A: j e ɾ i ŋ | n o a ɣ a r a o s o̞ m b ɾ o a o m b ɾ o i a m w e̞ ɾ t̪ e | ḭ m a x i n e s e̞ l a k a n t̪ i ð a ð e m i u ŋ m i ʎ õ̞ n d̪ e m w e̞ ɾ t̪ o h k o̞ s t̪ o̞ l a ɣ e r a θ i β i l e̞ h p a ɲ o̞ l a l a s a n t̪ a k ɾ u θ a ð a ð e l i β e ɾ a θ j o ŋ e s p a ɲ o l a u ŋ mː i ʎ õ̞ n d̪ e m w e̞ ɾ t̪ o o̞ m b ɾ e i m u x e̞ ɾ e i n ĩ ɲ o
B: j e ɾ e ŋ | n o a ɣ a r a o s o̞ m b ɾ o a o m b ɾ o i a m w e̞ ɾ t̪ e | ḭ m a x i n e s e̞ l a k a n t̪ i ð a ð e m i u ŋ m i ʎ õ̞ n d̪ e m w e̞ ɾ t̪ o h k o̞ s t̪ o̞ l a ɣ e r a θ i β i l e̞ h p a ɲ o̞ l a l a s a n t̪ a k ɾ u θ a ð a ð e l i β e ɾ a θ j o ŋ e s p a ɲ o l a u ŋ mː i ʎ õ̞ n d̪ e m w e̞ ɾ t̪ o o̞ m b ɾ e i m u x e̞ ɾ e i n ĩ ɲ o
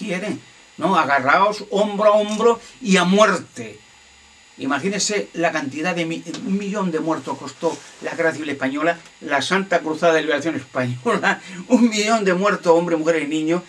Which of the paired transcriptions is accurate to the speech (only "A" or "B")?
B